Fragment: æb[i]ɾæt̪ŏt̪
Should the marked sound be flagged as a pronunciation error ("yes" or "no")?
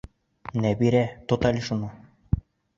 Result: no